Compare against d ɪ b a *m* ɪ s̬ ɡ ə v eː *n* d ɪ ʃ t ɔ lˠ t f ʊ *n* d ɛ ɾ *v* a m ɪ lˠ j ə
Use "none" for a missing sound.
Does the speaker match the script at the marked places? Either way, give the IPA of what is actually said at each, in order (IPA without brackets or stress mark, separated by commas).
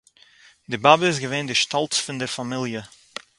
b, n, n, f